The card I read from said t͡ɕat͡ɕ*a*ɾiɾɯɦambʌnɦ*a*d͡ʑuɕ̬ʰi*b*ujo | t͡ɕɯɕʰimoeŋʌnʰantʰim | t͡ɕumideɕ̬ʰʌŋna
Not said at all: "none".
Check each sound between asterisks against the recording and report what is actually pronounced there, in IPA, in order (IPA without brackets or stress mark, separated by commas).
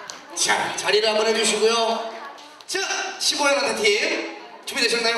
a, e, ɡ